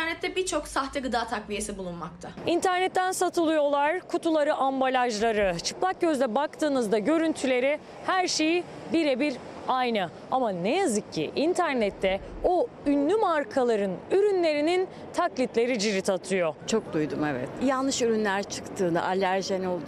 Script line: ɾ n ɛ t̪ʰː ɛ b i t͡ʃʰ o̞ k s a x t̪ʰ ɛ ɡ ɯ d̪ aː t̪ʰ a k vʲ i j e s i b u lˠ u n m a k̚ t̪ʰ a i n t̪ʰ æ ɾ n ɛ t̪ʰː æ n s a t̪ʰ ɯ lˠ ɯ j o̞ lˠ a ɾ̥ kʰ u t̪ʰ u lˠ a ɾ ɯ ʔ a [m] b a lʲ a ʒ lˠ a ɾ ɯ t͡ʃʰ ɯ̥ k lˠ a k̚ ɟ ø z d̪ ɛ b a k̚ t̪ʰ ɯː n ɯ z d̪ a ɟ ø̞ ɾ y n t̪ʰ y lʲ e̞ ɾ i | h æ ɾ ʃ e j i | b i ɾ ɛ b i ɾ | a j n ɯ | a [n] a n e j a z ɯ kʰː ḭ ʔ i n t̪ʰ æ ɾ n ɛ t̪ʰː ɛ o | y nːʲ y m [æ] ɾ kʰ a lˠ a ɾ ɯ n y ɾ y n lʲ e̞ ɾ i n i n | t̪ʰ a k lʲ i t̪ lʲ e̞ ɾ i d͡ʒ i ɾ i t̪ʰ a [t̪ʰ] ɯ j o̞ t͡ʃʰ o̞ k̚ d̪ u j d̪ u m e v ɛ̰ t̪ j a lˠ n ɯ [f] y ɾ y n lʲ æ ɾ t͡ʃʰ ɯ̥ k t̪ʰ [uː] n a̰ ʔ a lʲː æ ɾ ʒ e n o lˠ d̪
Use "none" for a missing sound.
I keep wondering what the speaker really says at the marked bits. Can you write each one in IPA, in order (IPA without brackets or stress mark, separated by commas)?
m, m, a, t̪ʰ, ʃ, ɯː